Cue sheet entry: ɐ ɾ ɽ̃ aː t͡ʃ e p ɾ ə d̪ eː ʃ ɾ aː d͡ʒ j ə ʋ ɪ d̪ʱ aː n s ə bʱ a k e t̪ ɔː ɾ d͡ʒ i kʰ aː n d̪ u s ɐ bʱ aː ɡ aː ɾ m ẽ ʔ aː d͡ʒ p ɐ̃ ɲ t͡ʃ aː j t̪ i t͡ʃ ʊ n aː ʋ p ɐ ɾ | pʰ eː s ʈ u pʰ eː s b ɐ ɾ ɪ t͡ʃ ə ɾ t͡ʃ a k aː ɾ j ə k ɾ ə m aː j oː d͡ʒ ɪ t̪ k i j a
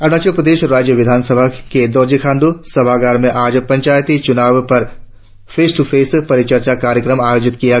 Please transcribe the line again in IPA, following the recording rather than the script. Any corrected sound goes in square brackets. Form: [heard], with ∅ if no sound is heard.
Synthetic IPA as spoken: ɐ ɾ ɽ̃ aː t͡ʃ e p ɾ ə d̪ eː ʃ ɾ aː d͡ʒ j ə ʋ ɪ d̪ʱ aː n s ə bʱ a k e [d̪] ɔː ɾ d͡ʒ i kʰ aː n d̪ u s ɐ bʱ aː ɡ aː ɾ m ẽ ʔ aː d͡ʒ p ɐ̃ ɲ t͡ʃ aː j t̪ i t͡ʃ ʊ n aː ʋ p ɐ ɾ | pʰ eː s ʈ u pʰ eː s [p] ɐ ɾ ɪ t͡ʃ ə ɾ t͡ʃ a k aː ɾ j ə k ɾ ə m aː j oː d͡ʒ ɪ t̪ k i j a